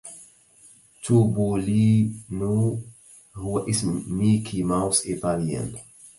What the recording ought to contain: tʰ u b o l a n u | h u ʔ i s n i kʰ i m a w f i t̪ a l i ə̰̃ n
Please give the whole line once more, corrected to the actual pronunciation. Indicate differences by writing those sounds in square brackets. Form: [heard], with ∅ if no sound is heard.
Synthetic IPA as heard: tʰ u b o l [i] n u | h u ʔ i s [m] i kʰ i m a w [s] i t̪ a l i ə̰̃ n